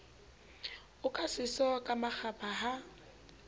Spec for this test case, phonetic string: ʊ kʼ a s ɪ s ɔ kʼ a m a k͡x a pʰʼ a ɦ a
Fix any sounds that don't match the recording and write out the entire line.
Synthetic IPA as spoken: ʊ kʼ a s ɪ s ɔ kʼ a m a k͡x a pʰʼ a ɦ a